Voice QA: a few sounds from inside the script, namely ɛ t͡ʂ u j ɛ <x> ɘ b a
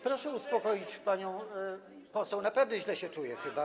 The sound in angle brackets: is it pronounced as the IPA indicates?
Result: yes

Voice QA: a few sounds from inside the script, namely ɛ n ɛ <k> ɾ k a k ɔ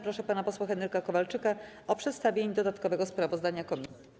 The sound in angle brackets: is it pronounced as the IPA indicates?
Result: no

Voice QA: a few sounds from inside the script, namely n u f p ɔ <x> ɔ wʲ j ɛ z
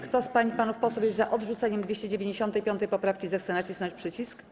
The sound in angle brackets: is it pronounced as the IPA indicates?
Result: no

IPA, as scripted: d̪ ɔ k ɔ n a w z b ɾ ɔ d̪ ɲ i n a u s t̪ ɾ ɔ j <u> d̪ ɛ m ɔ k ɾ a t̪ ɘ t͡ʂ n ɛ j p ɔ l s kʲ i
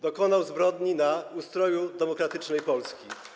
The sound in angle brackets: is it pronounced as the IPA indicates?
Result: yes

